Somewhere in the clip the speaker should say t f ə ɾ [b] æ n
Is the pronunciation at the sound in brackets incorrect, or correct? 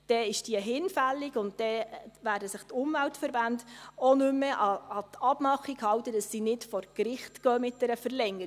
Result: correct